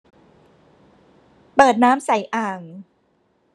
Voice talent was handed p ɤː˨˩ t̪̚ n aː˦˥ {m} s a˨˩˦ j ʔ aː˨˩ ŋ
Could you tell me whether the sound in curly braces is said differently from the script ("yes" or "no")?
no